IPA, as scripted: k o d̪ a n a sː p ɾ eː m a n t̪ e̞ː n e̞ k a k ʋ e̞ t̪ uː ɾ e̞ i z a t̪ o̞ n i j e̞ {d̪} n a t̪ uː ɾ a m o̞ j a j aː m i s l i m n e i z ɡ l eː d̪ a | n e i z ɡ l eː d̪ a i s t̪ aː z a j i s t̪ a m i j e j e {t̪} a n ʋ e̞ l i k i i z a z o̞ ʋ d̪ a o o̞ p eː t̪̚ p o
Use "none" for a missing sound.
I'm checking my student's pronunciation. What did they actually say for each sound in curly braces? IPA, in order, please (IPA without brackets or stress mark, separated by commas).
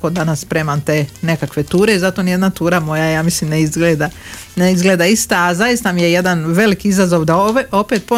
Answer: d̪, d̪